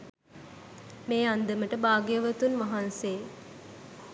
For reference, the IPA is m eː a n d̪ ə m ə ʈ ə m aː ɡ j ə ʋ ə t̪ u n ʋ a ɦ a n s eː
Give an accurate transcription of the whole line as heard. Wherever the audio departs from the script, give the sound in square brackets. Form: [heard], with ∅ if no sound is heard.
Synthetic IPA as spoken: m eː a n d̪ ə m ə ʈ ə [b] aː ɡ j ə ʋ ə t̪ u n ʋ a ɦ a n s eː